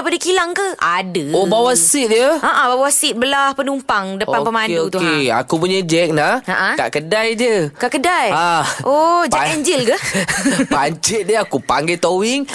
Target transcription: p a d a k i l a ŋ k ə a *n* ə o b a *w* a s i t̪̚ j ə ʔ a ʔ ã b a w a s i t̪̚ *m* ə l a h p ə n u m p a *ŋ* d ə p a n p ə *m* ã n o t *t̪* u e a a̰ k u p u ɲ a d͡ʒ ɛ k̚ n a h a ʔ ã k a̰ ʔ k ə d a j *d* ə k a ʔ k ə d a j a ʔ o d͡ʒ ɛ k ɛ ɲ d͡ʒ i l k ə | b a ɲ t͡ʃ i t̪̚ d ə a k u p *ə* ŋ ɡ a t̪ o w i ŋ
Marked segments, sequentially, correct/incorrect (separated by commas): incorrect, correct, incorrect, correct, correct, incorrect, incorrect, incorrect